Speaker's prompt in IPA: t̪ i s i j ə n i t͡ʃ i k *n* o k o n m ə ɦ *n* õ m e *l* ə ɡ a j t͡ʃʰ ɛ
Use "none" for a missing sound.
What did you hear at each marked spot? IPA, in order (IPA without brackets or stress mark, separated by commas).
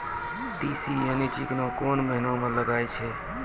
n, n, l